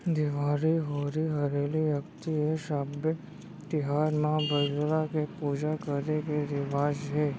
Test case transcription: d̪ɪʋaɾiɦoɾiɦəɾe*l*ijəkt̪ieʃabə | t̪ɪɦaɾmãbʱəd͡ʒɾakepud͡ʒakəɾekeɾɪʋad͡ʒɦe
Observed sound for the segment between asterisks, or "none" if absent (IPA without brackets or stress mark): l